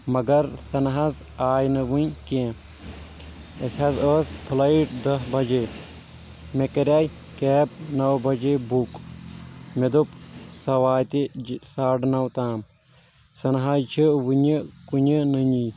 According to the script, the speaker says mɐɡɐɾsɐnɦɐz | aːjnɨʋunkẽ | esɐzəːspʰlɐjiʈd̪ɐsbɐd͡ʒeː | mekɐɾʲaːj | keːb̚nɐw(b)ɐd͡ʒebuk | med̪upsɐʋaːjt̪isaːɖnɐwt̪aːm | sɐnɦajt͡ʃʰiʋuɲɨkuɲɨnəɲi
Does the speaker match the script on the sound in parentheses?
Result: yes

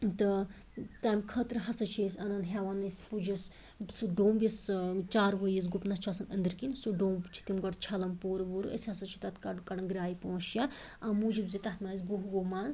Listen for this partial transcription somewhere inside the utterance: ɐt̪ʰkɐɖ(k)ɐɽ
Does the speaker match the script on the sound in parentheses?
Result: yes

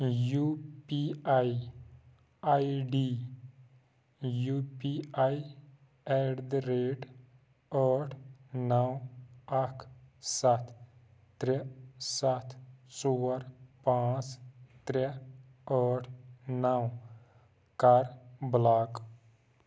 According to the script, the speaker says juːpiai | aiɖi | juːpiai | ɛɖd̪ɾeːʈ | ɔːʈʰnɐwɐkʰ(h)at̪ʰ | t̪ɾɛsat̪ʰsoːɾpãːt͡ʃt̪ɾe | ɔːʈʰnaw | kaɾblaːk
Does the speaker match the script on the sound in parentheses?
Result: no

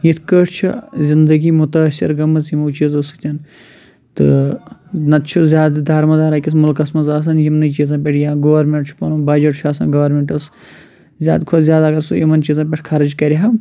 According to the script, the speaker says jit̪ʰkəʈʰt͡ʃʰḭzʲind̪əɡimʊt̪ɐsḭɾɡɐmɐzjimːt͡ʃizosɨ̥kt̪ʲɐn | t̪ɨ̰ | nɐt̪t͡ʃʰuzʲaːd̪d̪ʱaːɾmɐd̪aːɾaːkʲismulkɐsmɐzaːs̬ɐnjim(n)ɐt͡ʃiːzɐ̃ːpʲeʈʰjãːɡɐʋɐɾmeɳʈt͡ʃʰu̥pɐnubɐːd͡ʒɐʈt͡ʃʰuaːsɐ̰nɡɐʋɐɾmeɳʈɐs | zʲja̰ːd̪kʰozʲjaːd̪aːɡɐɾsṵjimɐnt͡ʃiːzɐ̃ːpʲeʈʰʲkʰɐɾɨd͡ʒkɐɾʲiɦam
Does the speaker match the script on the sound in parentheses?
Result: yes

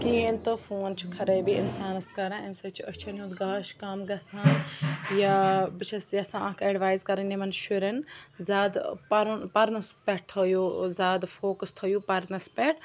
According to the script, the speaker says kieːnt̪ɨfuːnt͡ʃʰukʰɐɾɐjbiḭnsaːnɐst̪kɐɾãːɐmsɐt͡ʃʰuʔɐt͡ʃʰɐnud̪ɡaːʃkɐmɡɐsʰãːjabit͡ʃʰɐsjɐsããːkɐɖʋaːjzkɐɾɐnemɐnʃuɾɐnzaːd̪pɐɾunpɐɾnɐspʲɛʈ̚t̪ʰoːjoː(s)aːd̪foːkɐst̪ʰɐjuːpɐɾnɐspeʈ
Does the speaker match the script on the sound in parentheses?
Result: no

